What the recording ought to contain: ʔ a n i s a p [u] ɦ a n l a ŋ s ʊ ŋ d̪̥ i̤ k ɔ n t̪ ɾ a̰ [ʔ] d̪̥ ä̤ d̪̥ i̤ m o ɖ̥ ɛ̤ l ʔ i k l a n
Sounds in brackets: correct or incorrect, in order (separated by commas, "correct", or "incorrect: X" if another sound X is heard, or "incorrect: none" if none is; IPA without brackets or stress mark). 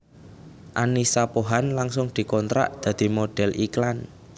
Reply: incorrect: o, correct